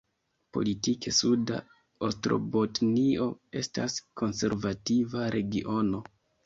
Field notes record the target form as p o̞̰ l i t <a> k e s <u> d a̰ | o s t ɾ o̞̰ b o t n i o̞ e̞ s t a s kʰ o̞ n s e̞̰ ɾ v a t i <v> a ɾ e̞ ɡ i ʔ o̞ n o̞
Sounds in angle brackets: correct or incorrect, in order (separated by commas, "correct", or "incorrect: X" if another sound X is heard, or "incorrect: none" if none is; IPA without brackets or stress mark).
incorrect: i, correct, correct